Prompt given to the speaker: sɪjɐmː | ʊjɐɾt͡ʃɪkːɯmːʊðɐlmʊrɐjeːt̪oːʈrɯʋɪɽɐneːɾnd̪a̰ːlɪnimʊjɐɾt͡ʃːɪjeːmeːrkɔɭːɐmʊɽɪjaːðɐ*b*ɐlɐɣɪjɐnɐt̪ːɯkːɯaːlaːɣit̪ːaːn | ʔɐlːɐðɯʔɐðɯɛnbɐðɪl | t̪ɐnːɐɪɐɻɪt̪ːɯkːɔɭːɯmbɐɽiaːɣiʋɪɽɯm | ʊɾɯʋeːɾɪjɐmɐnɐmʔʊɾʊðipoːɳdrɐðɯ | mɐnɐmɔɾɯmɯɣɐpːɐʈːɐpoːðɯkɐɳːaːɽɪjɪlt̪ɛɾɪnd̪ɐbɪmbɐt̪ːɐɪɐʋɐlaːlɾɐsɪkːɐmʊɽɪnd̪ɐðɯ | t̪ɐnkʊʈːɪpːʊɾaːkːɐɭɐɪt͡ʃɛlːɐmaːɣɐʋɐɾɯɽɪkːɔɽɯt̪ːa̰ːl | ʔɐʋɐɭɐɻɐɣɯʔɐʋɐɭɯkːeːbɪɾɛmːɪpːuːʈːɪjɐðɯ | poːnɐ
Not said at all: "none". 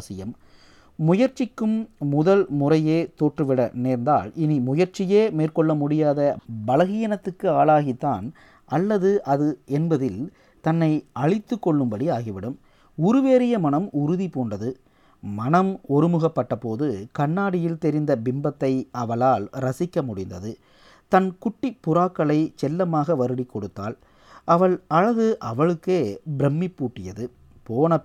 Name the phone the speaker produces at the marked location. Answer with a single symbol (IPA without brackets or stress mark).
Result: b